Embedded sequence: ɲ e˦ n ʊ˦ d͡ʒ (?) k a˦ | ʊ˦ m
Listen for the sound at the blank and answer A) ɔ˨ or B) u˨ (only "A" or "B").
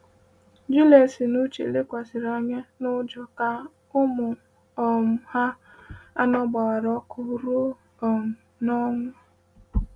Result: A